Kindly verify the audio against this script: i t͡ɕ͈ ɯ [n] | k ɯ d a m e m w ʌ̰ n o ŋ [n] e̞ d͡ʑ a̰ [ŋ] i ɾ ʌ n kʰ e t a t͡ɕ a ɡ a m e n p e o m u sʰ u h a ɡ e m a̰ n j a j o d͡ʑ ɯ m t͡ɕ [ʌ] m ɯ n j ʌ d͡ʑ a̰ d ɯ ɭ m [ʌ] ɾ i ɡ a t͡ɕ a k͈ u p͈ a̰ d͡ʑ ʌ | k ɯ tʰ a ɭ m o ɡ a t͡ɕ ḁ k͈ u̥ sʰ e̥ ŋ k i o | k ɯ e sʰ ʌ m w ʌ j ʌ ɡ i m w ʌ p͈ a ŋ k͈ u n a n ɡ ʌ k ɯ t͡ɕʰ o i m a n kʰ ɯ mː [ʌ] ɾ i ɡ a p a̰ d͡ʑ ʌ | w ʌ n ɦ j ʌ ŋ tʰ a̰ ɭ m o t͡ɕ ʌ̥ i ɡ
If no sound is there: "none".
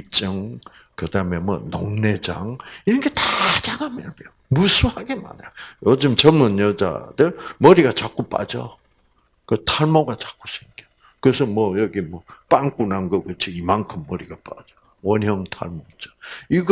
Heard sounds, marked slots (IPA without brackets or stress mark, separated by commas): ŋ, n, ŋ, ʌ, ʌ, ʌ